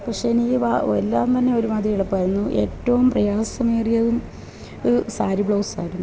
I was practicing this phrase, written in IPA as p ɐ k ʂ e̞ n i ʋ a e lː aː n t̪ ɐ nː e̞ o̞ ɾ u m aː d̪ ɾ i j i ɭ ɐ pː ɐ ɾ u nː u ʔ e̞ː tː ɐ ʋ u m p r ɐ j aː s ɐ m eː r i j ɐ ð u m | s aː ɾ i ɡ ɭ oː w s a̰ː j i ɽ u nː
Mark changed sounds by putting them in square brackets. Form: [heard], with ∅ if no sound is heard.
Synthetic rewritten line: p ɐ k ʂ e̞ n i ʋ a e lː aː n t̪ ɐ nː e̞ o̞ ɾ u m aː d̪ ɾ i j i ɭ ɐ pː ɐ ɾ u nː u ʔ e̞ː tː ɐ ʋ u m p r ɐ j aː s ɐ m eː r i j ɐ ð u m | s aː ɾ i [b] ɭ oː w s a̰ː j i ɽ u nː